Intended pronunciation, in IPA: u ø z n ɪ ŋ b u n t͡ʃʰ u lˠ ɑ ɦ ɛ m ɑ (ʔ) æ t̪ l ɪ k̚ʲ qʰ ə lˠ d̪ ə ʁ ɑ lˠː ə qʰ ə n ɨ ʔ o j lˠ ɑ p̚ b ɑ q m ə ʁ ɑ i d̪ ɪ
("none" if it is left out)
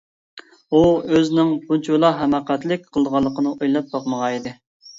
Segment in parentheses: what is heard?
q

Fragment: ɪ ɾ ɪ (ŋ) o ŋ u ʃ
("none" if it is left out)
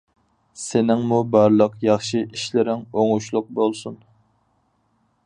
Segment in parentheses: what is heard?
ŋ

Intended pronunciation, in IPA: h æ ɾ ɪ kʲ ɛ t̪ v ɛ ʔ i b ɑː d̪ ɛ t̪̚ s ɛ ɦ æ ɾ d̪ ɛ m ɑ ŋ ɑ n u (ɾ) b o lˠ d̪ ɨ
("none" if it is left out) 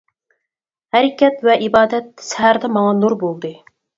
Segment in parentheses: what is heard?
ɾ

